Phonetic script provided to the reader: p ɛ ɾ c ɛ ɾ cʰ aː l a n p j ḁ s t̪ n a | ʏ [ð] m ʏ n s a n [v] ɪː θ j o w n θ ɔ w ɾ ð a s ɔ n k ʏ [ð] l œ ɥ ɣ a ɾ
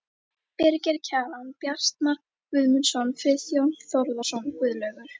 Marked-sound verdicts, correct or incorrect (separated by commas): correct, incorrect, correct